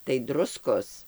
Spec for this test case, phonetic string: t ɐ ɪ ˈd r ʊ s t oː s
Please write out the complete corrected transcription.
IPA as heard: t ɐ ɪ ˈd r ʊ s k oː s